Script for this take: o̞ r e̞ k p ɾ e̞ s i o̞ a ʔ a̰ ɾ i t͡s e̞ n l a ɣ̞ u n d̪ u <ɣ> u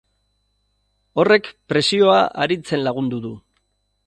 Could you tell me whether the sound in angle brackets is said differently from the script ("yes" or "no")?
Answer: yes